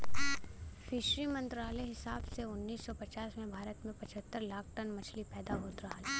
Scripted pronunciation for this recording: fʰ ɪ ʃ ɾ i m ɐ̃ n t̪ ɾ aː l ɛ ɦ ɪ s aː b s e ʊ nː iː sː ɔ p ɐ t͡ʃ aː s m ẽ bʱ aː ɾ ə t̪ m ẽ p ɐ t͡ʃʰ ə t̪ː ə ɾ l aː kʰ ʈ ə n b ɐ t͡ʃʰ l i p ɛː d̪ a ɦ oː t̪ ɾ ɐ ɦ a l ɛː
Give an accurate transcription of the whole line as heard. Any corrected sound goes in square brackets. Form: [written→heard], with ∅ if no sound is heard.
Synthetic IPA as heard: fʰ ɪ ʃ ɾ i m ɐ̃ n t̪ ɾ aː l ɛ ɦ ɪ s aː b s e ʊ nː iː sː ɔ p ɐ t͡ʃ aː s m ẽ bʱ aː ɾ ə t̪ m ẽ p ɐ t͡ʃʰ ə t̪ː ə ɾ l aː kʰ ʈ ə n [b→m] ɐ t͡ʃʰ l i p ɛː d̪ a ɦ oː t̪ ɾ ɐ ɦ a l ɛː